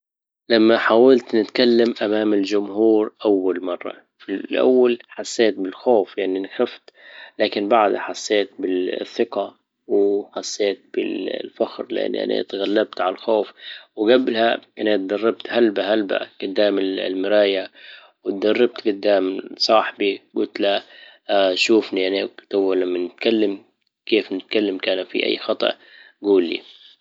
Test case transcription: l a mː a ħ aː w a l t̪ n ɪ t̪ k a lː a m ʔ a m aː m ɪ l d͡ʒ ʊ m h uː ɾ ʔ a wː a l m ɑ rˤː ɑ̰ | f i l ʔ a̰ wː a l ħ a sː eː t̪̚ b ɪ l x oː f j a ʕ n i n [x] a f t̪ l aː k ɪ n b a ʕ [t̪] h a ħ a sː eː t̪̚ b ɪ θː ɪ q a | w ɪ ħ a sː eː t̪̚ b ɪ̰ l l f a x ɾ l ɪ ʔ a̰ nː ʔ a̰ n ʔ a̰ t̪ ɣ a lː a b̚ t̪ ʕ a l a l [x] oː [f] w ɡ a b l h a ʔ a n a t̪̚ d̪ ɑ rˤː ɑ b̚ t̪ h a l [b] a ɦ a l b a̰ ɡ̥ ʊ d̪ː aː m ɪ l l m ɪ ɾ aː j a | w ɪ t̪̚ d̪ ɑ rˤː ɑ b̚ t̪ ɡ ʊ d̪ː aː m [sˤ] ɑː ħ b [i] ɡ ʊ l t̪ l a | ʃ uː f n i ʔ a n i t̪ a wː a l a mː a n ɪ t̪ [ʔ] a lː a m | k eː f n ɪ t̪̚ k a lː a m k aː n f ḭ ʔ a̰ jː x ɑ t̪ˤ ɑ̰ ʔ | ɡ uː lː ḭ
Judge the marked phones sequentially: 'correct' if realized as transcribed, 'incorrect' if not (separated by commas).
correct, incorrect, correct, correct, correct, correct, correct, incorrect